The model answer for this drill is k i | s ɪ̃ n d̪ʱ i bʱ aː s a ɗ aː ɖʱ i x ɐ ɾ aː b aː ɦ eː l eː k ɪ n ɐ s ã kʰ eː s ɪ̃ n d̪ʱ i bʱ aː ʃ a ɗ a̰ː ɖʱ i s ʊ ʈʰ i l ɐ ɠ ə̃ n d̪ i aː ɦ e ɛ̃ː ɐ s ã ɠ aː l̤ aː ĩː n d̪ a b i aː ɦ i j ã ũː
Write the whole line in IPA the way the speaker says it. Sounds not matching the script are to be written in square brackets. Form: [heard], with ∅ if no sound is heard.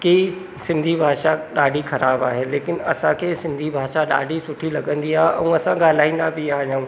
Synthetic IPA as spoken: k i | s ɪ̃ n d̪ʱ i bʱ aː [ʃ] a ɗ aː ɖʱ i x ɐ ɾ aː b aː ɦ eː l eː k ɪ n ɐ s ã kʰ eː s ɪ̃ n d̪ʱ i bʱ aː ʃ a ɗ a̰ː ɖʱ i s ʊ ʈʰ i l ɐ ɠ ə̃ n d̪ i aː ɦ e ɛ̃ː ɐ s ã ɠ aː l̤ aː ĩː n d̪ a b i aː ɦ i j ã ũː

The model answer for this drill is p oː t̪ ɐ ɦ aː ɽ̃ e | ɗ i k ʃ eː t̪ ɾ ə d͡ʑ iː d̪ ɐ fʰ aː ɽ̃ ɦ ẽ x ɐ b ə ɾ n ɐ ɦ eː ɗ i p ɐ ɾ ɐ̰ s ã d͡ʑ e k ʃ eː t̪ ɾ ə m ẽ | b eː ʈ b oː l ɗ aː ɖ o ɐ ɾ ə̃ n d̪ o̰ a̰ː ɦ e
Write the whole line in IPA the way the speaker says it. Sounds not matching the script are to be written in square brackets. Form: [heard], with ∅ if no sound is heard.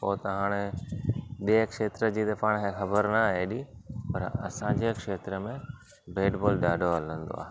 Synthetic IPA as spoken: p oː t̪ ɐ ɦ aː ɽ̃ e | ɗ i k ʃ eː t̪ ɾ ə d͡ʑ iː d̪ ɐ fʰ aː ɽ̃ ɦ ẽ x ɐ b ə ɾ n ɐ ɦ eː ɗ i p ɐ ɾ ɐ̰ s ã d͡ʑ e k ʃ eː t̪ ɾ ə m ẽ | b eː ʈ b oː l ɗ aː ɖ o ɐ [l] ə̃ n d̪ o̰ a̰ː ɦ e

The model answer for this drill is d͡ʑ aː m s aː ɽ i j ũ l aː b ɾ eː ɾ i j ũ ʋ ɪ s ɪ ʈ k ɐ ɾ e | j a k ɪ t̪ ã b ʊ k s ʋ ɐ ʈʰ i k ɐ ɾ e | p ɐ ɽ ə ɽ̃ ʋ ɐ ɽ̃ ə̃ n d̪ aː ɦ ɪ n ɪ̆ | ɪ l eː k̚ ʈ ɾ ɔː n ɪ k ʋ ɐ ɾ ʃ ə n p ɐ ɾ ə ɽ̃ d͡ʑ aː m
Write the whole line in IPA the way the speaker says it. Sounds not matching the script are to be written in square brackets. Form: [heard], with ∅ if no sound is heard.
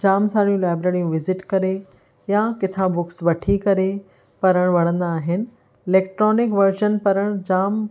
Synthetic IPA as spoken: d͡ʑ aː m s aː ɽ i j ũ l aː b ɾ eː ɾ i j ũ ʋ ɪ [z] ɪ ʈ k ɐ ɾ e | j a k ɪ [t̪ʰ] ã b ʊ k s ʋ ɐ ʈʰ i k ɐ ɾ e | p ɐ [ɾ] ə ɽ̃ ʋ ɐ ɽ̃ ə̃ n d̪ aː ɦ ɪ n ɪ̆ | ɪ l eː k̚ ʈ ɾ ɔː n ɪ k ʋ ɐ ɾ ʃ ə n p ɐ ɾ ə ɽ̃ d͡ʑ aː m

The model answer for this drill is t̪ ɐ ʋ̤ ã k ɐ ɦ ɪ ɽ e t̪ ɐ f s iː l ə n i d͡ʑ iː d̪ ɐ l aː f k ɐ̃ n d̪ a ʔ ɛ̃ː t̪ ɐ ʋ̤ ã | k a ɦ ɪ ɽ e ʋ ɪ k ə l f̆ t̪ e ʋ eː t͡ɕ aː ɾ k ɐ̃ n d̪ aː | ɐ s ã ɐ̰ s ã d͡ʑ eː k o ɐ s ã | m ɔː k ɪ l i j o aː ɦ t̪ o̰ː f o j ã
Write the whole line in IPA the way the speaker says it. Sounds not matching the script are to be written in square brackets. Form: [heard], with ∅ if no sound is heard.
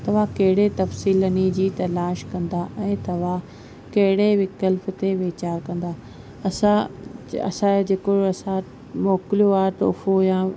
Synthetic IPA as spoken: t̪ ɐ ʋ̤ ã k ɐ ɦ ɪ ɽ e t̪ ɐ f s iː l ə n i d͡ʑ iː [t̪] ɐ l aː [ʃ] k ɐ̃ n d̪ a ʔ ɛ̃ː t̪ ɐ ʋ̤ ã | k [ɐ] ɦ ɪ ɽ e ʋ ɪ k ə l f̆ t̪ e ʋ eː t͡ɕ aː ɾ k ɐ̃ n d̪ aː | ɐ s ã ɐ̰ s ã d͡ʑ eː k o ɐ s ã | m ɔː k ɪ l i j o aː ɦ t̪ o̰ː f o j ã

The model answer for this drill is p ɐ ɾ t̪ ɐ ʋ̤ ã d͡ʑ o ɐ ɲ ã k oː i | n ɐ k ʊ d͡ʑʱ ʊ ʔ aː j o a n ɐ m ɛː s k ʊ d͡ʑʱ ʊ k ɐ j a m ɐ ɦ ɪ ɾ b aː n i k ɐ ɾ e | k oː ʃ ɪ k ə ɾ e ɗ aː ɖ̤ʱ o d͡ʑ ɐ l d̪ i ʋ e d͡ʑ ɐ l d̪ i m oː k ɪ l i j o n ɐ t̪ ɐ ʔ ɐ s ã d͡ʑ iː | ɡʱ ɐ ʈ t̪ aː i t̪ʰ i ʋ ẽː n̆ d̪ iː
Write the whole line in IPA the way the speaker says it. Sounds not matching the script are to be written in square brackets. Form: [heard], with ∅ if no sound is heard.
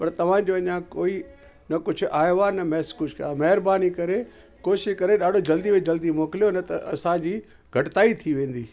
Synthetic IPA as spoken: p ɐ ɾ t̪ ɐ ʋ̤ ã d͡ʑ o ɐ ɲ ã k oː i | n ɐ k ʊ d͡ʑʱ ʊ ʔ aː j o a n ɐ m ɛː s k ʊ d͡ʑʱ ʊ k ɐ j a m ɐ ɦ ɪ ɾ b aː n i k ɐ ɾ e | k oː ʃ ɪ k [ɐ] ɾ e ɗ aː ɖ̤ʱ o d͡ʑ ɐ l d̪ i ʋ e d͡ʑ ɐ l d̪ i m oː k ɪ l i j o n ɐ t̪ ɐ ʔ ɐ s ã d͡ʑ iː | ɡʱ ɐ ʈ t̪ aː i t̪ʰ i ʋ ẽː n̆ d̪ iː

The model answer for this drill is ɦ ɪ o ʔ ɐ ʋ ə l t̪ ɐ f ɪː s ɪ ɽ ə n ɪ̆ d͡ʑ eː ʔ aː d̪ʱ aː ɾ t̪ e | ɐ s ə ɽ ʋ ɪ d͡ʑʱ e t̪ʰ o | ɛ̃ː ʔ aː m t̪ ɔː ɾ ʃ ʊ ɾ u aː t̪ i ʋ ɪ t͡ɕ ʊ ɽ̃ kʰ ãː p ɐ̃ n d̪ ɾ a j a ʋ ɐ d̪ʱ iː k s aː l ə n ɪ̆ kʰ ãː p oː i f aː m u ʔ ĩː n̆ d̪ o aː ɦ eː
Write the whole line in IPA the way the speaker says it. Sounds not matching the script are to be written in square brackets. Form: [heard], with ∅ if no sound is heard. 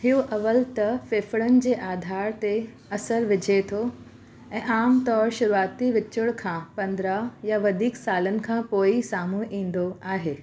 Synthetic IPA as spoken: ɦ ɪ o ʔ ɐ ʋ ə l t̪ ɐ f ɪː [f] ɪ ɽ ə n ɪ̆ d͡ʑ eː ʔ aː d̪ʱ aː ɾ t̪ e | ɐ s ə [ɾ] ʋ ɪ d͡ʑʱ e t̪ʰ o | ɛ̃ː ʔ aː m t̪ ɔː ɾ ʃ ʊ ɾ u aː t̪ i ʋ ɪ t͡ɕ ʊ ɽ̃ kʰ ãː p ɐ̃ n d̪ ɾ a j a ʋ ɐ d̪ʱ iː k s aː l ə n ɪ̆ kʰ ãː p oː i [s] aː m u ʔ ĩː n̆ d̪ o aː ɦ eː

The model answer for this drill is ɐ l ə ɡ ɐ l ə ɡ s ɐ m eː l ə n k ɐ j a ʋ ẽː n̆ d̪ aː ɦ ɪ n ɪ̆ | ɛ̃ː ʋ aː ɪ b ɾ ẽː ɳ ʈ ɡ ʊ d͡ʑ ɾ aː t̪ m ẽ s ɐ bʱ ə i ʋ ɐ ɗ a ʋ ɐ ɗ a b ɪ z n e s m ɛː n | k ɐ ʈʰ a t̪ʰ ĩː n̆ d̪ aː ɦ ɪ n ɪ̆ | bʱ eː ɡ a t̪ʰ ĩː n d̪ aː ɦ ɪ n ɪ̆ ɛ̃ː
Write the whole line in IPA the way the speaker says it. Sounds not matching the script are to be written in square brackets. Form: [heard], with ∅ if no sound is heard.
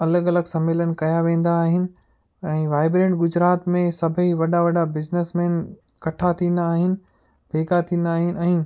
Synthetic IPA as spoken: ɐ l ə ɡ ɐ l ə ɡ s ɐ m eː l ə n k ɐ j a ʋ ẽː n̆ d̪ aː ɦ ɪ n ɪ̆ | ɛ̃ː ʋ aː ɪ b ɾ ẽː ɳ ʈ ɡ ʊ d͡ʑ ɾ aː t̪ m ẽ s ɐ bʱ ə i ʋ ɐ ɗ a ʋ ɐ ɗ a b ɪ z n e s m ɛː n | k ɐ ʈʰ a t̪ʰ ĩː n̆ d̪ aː ɦ ɪ n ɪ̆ | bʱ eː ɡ a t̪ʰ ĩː n d̪ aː ɦ ɪ n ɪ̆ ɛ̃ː

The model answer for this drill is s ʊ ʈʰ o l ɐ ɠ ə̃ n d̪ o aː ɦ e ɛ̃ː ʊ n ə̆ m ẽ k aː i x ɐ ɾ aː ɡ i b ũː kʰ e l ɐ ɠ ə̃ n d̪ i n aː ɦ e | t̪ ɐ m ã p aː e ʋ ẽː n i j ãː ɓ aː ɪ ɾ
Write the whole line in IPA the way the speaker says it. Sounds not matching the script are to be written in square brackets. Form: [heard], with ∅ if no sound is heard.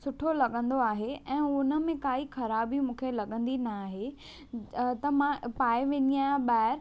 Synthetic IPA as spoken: s ʊ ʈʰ o l ɐ ɠ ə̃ n d̪ o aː ɦ e ɛ̃ː ʊ n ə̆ m ẽ k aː i x ɐ ɾ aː [b] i [m] ũː kʰ e l ɐ ɠ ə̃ n d̪ i n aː ɦ e | t̪ ɐ m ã p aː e ʋ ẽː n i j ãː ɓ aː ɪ ɾ

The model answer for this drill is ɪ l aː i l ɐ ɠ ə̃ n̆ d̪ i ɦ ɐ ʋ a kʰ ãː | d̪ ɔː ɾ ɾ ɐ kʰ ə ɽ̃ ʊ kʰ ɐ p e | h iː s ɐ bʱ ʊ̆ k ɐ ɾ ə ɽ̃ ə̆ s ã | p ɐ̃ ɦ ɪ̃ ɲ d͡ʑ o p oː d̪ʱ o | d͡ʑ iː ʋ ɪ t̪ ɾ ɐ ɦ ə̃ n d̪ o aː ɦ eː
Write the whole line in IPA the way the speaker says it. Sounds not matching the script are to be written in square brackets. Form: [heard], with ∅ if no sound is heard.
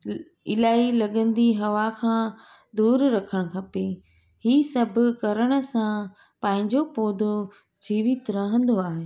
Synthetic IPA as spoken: ɪ l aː i l ɐ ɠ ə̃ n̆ d̪ i ɦ ɐ ʋ a kʰ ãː | d̪ [uː] ɾ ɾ ɐ kʰ ə ɽ̃ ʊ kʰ ɐ p e | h iː s ɐ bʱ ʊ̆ k ɐ ɾ ə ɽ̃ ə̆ s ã | p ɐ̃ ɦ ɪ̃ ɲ d͡ʑ o p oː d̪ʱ o | d͡ʑ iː ʋ ɪ t̪ ɾ ɐ ɦ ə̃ n d̪ o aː ɦ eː

